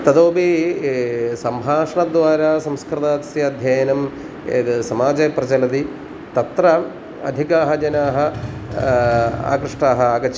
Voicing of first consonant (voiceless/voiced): voiceless